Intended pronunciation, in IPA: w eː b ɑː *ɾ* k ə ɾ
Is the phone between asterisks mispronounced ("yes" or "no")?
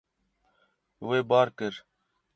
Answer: no